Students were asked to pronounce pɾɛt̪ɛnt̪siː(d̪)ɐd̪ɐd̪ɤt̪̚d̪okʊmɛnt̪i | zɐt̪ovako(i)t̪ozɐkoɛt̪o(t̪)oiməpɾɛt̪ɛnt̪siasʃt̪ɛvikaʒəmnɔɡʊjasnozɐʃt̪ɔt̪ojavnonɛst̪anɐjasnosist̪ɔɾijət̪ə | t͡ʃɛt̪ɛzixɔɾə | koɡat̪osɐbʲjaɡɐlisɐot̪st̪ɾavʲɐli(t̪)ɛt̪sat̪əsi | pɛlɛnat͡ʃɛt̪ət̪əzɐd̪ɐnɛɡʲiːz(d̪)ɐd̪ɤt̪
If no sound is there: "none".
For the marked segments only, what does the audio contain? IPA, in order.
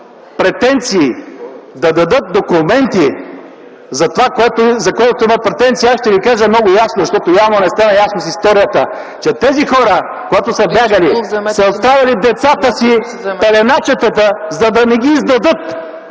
d̪, ɛ, t̪, d̪, d̪

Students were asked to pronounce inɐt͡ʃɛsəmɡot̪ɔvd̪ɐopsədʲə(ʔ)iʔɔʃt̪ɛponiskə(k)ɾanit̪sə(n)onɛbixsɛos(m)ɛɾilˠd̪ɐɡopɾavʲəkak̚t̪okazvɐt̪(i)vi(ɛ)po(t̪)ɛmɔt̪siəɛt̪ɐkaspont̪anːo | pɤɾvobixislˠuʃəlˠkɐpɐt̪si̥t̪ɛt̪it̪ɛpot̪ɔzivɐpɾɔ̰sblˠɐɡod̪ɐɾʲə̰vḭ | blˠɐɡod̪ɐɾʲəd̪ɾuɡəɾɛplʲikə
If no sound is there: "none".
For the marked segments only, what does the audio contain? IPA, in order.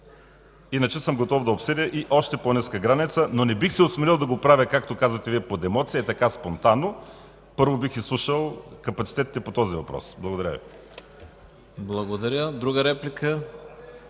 ʔ, ɡ, n, m, ɛ, ɛ, d̪

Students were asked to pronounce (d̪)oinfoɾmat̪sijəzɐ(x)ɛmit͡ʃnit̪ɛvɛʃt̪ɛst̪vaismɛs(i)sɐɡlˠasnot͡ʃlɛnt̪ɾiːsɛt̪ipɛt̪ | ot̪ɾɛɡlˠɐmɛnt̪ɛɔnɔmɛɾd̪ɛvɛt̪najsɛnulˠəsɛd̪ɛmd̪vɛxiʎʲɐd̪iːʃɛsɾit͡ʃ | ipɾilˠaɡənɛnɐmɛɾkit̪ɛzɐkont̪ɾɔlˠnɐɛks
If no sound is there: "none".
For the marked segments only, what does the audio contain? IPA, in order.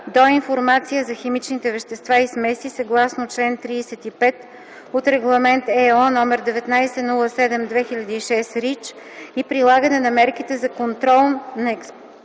d̪, x, i

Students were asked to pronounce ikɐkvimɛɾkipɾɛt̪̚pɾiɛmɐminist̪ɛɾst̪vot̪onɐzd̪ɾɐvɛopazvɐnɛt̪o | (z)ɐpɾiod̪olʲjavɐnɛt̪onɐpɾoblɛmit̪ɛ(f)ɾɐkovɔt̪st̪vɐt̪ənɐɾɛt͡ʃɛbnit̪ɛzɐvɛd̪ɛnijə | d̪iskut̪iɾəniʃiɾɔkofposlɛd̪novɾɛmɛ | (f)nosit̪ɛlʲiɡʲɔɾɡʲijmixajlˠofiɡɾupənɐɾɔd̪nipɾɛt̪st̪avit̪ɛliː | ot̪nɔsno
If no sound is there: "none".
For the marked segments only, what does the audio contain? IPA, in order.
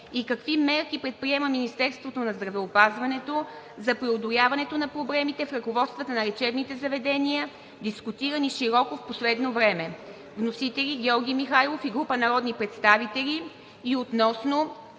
z, f, v

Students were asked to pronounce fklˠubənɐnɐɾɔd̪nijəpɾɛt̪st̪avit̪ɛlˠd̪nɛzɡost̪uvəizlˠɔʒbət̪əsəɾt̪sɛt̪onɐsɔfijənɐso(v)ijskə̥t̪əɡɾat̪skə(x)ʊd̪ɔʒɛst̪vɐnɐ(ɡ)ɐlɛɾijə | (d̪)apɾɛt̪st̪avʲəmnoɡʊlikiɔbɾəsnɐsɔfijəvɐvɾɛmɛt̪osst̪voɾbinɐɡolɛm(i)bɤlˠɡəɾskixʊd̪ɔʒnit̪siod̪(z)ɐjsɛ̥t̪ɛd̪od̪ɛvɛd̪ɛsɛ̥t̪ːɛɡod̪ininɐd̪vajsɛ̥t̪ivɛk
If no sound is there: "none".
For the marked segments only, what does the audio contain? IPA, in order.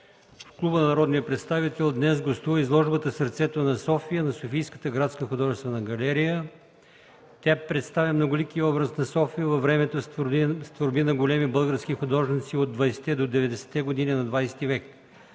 f, x, ɡ, t̪, i, v

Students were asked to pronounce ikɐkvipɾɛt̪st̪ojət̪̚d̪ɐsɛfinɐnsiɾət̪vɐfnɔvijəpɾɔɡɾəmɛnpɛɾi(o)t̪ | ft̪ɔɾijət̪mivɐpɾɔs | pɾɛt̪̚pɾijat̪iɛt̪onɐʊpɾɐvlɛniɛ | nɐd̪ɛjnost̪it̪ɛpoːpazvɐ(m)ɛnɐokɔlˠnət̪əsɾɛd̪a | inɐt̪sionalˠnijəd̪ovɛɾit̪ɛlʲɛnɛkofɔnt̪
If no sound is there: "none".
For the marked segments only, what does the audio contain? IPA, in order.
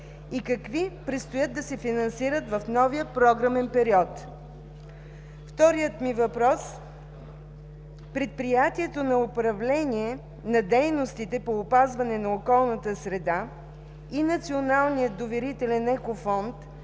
ɔ, n

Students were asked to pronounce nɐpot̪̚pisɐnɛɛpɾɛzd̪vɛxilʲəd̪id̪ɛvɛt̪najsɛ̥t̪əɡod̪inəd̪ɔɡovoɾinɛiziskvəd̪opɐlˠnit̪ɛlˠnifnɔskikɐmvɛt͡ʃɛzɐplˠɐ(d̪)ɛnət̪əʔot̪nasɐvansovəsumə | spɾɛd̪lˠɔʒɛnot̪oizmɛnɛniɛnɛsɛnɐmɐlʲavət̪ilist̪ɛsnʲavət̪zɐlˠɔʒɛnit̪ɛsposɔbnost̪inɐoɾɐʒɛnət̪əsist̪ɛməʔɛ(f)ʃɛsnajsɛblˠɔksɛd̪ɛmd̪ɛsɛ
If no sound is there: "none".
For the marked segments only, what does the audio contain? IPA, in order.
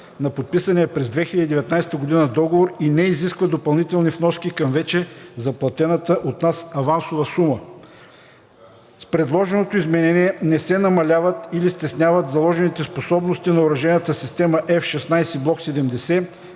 t̪, f

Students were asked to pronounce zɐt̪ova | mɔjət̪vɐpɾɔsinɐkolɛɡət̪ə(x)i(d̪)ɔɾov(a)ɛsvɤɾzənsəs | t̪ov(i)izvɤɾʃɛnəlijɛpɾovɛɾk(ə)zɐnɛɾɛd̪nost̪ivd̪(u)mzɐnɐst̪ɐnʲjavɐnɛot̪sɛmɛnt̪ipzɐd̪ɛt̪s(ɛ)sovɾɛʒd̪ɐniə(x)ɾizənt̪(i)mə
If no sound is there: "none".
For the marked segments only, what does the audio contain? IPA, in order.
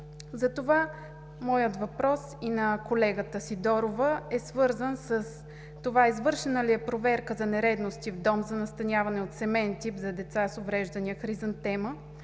s, d̪, ə, a, ə, ɔ, a, x, ɛ

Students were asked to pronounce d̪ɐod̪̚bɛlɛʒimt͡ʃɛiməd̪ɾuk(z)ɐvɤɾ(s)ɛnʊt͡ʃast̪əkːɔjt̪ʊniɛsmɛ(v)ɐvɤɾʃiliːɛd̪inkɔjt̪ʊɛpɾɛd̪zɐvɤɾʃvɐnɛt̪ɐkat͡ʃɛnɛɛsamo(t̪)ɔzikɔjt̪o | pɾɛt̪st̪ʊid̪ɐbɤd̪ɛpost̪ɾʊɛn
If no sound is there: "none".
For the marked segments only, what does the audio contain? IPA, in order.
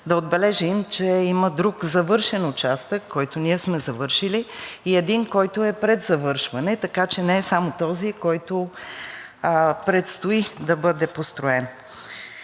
z, ʃ, z, t̪

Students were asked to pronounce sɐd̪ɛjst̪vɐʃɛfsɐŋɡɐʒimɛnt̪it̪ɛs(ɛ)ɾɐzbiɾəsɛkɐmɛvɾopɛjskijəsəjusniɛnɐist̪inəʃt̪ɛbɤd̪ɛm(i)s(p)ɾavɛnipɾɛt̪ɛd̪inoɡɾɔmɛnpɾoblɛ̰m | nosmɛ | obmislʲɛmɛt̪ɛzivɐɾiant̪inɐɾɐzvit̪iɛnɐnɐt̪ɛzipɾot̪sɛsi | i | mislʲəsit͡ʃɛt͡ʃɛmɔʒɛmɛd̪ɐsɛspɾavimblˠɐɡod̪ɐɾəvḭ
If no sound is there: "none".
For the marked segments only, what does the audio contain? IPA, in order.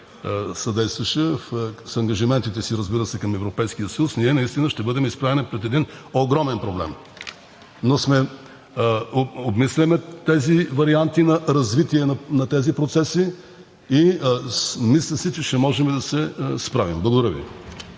i, i, p

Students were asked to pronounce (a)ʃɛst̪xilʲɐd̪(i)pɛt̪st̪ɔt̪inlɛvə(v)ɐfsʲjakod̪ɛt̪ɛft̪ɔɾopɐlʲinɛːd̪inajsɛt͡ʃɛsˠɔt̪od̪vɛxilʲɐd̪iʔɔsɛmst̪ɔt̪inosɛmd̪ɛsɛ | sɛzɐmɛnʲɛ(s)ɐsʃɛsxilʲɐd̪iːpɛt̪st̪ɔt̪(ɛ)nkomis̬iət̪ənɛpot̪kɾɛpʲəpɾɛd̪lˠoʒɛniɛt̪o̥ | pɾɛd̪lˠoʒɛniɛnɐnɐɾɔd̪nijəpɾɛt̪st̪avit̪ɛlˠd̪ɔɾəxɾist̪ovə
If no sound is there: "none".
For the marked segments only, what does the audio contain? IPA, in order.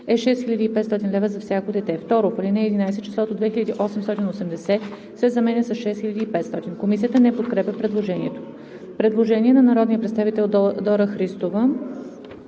ɛ, iː, z, s, i

